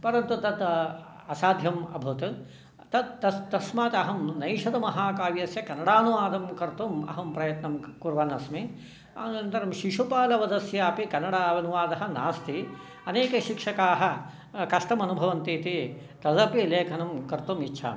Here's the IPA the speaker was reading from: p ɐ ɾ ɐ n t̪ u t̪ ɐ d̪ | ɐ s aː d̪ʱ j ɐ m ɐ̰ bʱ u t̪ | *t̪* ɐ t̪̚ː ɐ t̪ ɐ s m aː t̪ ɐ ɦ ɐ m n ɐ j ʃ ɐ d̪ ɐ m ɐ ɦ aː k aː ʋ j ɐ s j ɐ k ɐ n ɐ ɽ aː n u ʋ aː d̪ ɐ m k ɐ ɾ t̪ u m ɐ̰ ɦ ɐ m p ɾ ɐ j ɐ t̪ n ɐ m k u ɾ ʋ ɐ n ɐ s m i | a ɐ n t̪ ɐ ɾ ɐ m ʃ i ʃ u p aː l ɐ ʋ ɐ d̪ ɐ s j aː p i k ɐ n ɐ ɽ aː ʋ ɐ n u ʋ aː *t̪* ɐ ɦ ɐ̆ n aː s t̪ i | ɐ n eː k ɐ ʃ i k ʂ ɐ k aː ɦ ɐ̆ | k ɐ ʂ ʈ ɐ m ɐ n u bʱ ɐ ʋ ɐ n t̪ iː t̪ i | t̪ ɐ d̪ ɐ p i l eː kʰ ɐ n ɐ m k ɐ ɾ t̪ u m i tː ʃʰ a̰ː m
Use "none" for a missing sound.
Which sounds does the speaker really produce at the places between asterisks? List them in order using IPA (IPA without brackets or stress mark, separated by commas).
t̪, d̪